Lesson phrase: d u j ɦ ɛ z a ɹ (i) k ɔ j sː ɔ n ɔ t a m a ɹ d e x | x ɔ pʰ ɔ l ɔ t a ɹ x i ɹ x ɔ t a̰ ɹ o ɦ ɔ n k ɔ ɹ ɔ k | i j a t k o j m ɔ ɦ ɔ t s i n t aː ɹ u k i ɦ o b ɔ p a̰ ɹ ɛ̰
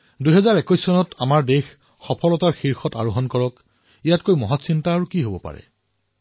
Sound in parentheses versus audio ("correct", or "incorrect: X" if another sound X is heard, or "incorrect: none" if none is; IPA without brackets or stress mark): incorrect: ɛ